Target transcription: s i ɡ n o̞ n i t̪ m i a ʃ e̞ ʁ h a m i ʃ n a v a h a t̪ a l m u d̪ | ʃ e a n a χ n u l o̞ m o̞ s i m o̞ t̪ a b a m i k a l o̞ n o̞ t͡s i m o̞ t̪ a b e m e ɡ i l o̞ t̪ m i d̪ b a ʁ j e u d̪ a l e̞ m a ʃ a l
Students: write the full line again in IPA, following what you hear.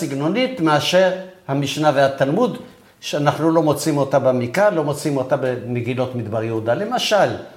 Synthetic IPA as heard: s i ɡ n o̞ n i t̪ m e a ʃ e̞ ʁ h a m i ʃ n a v e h a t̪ a l m u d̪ | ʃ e a n a χ n u l o̞ m o̞ t͡s i m o̞ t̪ a b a m i k a l o̞ m o̞ t͡s i m o̞ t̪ a b e m e ɡ i l o̞ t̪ m i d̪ b a ʁ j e u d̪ a l e̞ m a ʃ a l